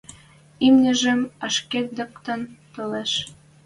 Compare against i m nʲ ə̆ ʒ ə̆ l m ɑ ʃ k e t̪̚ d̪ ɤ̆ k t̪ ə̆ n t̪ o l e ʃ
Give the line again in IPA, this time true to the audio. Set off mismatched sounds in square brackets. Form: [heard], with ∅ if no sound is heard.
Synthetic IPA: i m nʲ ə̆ ʒ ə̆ [∅] m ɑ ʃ k e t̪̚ d̪ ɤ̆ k t̪ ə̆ n t̪ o l e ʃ